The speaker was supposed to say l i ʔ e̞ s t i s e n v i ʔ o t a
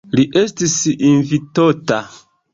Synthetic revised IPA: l i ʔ e̞ s t i s i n v i t o t a